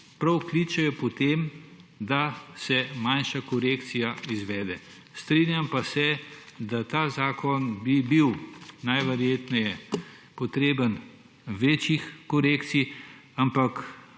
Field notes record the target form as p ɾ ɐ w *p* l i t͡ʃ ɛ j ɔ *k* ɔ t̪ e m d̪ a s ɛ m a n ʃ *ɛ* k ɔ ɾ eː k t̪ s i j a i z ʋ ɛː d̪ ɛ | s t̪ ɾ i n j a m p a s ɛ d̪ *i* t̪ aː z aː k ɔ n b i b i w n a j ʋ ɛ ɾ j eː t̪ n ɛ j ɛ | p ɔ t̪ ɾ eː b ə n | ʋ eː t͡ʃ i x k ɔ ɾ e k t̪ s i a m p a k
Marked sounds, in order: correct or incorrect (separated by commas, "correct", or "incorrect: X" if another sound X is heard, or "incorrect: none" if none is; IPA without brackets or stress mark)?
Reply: incorrect: k, incorrect: p, incorrect: a, incorrect: a